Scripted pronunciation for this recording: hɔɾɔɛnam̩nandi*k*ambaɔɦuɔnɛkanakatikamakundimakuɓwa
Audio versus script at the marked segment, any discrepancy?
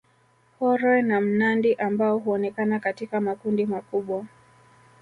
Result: yes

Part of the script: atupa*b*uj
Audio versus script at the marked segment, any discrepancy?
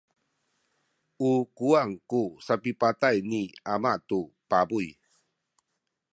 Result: no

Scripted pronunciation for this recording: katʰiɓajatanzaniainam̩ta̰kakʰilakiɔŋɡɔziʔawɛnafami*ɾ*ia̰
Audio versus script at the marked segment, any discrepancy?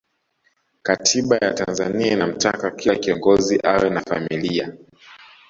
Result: yes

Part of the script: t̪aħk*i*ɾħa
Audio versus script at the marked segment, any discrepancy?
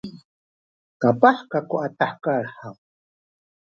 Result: yes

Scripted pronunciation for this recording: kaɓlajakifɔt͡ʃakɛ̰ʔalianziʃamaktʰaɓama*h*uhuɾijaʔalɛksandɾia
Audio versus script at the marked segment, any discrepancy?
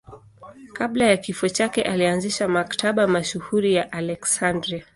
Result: yes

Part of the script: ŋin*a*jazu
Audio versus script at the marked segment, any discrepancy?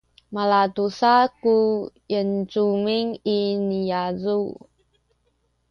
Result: yes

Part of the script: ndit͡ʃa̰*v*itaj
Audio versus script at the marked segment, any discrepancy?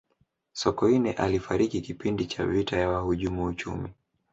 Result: no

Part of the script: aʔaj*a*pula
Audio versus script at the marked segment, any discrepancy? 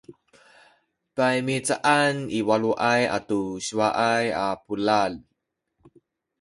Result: no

